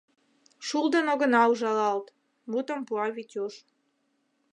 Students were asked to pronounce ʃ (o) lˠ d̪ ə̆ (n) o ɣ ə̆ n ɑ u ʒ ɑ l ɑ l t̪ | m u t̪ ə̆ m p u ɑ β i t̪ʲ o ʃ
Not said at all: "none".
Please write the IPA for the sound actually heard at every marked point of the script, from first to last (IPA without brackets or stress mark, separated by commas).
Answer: u, n